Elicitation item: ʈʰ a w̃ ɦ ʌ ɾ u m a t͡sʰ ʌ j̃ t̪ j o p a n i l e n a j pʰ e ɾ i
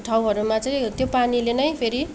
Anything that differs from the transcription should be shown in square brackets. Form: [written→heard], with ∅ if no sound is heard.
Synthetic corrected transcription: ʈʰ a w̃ ɦ ʌ ɾ u m a [t͡sʰ→t͡s] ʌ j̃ t̪ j o p a n i l e n [a→ʌ] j pʰ e ɾ i